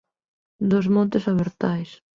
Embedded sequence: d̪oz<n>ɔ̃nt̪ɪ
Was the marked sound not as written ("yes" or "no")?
yes